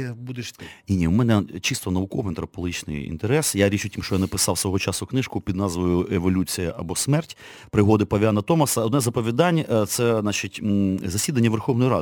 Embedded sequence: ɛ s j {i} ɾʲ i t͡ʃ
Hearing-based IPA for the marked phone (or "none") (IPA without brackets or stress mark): a